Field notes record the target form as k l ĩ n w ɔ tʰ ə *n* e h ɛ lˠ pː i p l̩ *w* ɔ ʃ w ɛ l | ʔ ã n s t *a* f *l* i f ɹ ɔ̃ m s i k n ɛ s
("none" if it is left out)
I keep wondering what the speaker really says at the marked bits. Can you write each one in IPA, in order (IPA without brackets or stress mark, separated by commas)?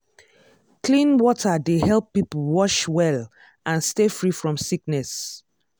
d, w, e, ɹ